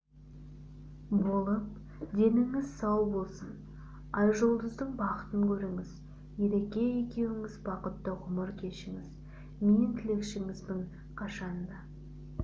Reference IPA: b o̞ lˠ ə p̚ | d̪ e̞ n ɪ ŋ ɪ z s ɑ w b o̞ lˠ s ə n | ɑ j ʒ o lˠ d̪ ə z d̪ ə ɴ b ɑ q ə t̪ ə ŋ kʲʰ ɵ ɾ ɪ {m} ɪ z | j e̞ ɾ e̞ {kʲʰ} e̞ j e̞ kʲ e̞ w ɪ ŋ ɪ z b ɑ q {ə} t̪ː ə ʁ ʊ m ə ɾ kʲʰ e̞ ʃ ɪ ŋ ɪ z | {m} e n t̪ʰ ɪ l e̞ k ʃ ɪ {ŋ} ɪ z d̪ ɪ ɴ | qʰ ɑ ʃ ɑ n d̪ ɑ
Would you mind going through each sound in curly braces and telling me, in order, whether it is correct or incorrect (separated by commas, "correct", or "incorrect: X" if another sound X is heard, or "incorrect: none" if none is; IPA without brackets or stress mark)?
incorrect: ŋ, incorrect: kʲ, correct, correct, correct